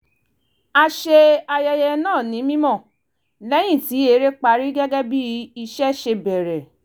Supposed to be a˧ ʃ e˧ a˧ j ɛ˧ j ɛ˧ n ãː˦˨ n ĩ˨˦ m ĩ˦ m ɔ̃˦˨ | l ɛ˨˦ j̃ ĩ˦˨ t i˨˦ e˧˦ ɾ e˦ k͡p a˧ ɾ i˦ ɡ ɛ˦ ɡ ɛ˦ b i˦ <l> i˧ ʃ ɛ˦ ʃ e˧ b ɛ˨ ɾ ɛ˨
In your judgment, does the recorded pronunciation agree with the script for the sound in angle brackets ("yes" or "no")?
no